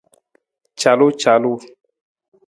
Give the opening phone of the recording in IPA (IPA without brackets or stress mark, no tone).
t͡ʃ